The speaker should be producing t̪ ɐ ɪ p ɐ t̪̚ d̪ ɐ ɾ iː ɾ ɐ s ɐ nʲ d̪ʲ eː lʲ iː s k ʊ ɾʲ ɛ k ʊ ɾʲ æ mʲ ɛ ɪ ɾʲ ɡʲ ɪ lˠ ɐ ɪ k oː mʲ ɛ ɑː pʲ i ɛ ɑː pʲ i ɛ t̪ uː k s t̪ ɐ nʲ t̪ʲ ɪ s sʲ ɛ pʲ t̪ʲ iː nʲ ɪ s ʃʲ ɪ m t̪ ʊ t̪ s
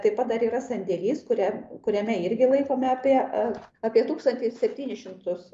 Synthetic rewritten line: t̪ ɐ ɪ p ɐ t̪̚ d̪ ɐ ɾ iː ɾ ɐ s ɐ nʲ d̪ʲ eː lʲ iː s k ʊ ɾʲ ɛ k ʊ ɾʲ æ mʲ ɛ ɪ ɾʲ ɡʲ ɪ lˠ ɐ ɪ k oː mʲ ɛ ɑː pʲ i ɛ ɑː pʲ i ɛ t̪ uː k s t̪ ɐ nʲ t̪ʲ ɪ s sʲ ɛ pʲ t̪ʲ iː nʲ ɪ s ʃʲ ɪ m t̪ ʊ s